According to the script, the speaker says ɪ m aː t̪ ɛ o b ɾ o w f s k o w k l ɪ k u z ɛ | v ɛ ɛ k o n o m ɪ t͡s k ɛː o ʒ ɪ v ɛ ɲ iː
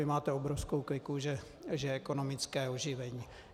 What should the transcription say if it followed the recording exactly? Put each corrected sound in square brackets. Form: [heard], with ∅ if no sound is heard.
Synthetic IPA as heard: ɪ m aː t̪ ɛ o b ɾ o [∅] f s k o w k l ɪ k u [ʒ] ɛ | [ʒ] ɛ ɛ k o n o m ɪ t͡s k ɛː o ʒ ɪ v ɛ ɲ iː

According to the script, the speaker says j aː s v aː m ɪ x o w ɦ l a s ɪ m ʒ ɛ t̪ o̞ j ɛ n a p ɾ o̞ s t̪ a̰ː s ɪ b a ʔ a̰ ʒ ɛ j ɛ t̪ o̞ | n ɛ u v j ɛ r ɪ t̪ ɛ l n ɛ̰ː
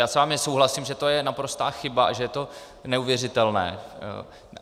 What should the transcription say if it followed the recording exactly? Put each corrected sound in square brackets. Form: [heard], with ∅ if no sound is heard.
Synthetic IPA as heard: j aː s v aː m ɪ [s] o w ɦ l a s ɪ m ʒ ɛ t̪ o̞ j ɛ n a p ɾ o̞ s t̪ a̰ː [x] ɪ b a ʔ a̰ ʒ ɛ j ɛ t̪ o̞ | n ɛ u v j ɛ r ɪ t̪ ɛ l n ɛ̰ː

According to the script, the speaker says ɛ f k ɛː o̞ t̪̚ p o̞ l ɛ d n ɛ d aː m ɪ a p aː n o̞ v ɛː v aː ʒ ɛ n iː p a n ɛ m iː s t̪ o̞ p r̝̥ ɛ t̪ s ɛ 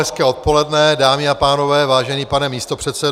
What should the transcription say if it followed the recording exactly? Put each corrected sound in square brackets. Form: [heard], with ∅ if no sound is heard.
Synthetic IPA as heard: ɛ [s] k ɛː o̞ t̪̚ p o̞ l ɛ d n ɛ d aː m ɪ a p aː n o̞ v ɛː v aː ʒ ɛ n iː p a n ɛ m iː s t̪ o̞ p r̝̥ ɛ t̪ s ɛ

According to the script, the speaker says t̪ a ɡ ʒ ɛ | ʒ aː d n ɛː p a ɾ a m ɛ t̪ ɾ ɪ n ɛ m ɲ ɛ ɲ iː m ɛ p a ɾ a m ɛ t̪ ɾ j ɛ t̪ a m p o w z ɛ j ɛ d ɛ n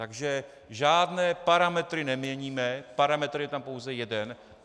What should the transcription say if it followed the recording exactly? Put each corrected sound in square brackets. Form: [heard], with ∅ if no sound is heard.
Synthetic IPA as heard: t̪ a ɡ ʒ ɛ | ʒ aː d n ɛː p a ɾ a m ɛ t̪ ɾ ɪ n ɛ m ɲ ɛ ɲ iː m ɛ p a ɾ a m ɛ t̪ ɾ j ɛ t̪ a m p o w z ɛ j ɛ d ɛ n

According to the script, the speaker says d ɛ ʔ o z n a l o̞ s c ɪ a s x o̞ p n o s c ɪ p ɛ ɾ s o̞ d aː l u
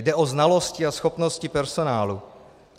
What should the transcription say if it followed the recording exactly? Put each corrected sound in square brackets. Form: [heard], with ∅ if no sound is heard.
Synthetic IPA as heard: d ɛ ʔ o z n a l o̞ s c ɪ a s x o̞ p n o s c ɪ p ɛ ɾ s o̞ [n] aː l u

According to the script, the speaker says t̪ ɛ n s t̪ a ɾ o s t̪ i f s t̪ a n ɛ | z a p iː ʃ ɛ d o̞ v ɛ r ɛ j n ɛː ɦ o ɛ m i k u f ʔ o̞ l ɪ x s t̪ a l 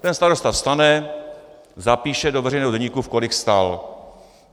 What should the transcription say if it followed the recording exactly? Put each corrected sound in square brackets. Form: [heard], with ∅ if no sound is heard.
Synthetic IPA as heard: t̪ ɛ n s t̪ a ɾ o s t̪ [a] f s t̪ a n ɛ | z a p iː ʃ ɛ d o̞ v ɛ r ɛ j n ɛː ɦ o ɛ [ɲ] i k u f [k] o̞ l ɪ x s t̪ a l

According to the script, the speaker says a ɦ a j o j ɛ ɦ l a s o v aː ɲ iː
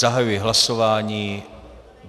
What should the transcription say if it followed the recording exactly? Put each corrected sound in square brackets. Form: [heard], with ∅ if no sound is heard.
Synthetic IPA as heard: a ɦ a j [u] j ɛ ɦ l a s o v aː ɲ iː

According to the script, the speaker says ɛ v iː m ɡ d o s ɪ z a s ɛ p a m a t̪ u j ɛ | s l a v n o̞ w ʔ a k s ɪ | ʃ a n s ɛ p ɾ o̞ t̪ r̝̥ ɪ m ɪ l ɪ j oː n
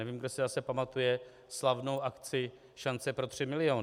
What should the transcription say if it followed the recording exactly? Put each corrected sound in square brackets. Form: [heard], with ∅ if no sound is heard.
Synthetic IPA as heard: ɛ v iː m ɡ d o s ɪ z a s ɛ p a m a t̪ u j ɛ | s l a v n o̞ w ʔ a k [t͡s] ɪ | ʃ a n [t͡s] ɛ p ɾ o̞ t̪ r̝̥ ɪ m ɪ l ɪ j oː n

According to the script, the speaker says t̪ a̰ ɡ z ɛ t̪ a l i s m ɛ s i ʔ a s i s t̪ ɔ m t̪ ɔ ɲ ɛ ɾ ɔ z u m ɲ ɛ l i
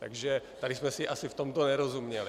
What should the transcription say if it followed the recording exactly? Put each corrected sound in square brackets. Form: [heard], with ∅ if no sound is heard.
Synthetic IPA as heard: t̪ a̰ ɡ [ʒ] ɛ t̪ a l i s m ɛ s i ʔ a s i [f] t̪ ɔ m t̪ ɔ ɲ ɛ ɾ ɔ z u m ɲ ɛ l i

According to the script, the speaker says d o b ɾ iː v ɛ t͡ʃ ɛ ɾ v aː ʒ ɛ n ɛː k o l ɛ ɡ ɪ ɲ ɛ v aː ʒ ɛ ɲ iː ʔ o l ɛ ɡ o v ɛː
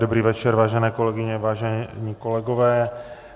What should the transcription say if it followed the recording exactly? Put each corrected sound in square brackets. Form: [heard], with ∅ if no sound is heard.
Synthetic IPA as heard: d o b ɾ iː v ɛ t͡ʃ ɛ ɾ v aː ʒ ɛ n ɛː k o l ɛ ɡ ɪ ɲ ɛ v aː ʒ ɛ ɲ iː [k] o l ɛ ɡ o v ɛː

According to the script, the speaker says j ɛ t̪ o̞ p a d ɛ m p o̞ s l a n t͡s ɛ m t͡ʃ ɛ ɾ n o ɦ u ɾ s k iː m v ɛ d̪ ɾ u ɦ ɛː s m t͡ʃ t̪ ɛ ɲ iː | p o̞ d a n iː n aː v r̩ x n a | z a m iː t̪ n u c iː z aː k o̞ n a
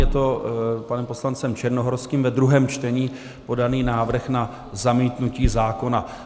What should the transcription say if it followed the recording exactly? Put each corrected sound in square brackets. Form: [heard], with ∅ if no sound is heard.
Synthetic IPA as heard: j ɛ t̪ o̞ p a [n] ɛ m p o̞ s l a n t͡s ɛ m t͡ʃ ɛ ɾ n o ɦ [o] ɾ s k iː m v ɛ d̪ ɾ u ɦ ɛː [∅] m t͡ʃ t̪ ɛ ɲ iː | p o̞ d a n iː n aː v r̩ x n a | z a m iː t̪ n u c iː z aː k o̞ n a

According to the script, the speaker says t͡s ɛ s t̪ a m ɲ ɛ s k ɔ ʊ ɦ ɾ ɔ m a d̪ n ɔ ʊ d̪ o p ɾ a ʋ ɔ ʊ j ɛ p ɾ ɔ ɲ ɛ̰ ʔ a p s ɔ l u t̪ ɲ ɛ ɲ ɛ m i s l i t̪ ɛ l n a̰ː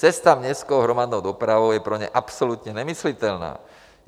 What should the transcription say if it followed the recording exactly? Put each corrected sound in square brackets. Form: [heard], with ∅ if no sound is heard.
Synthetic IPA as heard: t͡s ɛ s t̪ a m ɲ ɛ s k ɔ ʊ ɦ ɾ ɔ m a d̪ n ɔ ʊ d̪ [ɔ] p ɾ a ʋ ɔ ʊ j ɛ p ɾ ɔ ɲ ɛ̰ ʔ a p s ɔ l u t̪ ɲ ɛ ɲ ɛ m i s l i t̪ ɛ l n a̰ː

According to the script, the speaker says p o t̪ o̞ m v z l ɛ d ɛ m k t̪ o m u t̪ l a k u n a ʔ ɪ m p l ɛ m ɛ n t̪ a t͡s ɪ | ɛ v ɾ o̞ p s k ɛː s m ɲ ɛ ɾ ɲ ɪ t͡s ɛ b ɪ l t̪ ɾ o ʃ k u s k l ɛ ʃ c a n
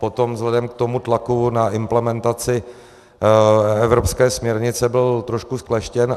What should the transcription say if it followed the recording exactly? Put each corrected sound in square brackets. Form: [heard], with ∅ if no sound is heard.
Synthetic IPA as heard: p o t̪ o̞ m v z l ɛ d ɛ m k t̪ o m u t̪ l a k u n a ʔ ɪ m p l ɛ m ɛ n t̪ a t͡s ɪ | ɛ v ɾ o̞ p s k ɛː s m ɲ ɛ ɾ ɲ ɪ t͡s ɛ b ɪ l t̪ ɾ o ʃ k u s k l ɛ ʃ c [ɛ] n

